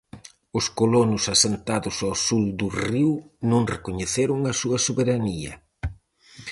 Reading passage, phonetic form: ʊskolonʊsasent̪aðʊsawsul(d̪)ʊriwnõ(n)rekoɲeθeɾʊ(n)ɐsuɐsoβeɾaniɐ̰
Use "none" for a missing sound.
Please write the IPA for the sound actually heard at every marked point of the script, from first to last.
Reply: d̪, ŋ, ŋ

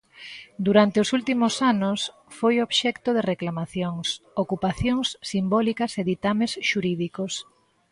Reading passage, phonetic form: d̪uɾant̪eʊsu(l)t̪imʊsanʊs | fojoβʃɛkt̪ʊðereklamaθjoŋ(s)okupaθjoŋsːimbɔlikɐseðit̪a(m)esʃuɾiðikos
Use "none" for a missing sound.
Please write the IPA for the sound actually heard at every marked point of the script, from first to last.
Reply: l, s, m

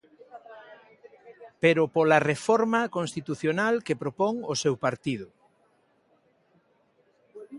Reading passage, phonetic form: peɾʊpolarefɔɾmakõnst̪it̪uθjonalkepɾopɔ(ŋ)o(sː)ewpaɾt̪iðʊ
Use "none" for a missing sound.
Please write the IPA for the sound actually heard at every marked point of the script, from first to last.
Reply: ŋ, s

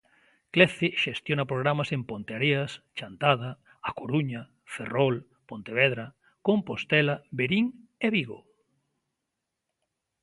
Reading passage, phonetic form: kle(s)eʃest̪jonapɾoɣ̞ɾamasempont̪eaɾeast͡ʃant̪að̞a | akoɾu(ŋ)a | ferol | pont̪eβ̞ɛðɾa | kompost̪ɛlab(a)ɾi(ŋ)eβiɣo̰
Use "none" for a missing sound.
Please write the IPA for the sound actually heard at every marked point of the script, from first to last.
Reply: θ, ɲ, e, ŋ

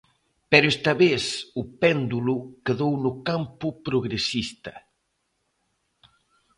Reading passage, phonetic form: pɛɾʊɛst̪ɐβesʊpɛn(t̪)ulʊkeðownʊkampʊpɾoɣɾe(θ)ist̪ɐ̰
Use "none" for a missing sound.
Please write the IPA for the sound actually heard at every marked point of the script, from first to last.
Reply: d̪, s

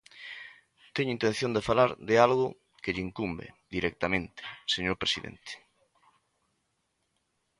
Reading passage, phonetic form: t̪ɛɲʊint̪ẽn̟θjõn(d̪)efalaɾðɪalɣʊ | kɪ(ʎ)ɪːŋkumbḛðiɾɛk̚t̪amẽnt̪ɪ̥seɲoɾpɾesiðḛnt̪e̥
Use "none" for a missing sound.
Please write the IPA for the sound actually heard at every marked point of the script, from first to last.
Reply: d̪, ʎ

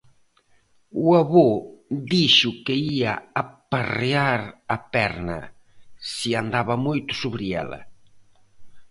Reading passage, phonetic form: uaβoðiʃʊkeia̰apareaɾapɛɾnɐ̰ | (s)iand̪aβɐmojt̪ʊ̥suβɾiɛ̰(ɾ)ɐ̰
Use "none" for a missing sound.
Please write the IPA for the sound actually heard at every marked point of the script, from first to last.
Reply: s, l

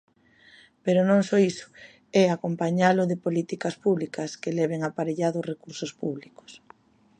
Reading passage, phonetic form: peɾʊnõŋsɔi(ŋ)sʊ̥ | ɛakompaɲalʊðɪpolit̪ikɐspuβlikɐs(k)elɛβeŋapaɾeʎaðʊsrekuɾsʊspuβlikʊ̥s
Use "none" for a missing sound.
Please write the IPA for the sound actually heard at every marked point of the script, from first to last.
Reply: none, k

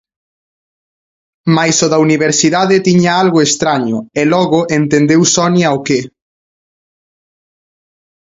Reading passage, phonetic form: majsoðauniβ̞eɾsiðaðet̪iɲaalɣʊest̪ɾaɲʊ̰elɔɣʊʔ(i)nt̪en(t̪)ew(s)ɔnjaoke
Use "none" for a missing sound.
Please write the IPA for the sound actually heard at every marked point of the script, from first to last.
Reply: e, d̪, s

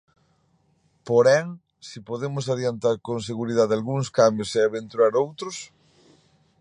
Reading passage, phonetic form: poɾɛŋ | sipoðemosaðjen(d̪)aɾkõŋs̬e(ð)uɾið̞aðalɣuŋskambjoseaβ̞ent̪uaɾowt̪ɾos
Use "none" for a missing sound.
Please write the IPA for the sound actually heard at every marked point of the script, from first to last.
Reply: t̪, ɣ

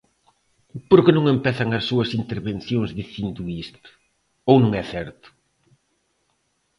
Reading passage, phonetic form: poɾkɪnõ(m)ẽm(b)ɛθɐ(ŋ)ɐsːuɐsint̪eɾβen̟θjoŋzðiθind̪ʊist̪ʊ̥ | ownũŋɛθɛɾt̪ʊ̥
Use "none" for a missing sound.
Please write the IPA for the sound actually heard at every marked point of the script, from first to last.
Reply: ŋ, p, ŋ

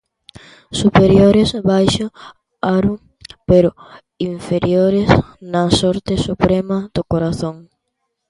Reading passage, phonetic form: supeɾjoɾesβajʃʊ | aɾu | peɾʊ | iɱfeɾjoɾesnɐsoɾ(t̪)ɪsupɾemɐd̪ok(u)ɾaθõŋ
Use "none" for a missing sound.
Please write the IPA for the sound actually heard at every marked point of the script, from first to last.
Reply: t̪, o

